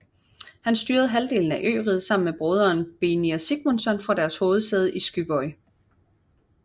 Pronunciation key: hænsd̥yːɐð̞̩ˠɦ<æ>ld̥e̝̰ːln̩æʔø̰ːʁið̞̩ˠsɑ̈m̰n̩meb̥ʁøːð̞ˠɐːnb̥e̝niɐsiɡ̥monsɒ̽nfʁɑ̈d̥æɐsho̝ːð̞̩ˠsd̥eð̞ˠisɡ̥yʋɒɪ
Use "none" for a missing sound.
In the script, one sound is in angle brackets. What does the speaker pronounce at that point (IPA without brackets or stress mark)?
æ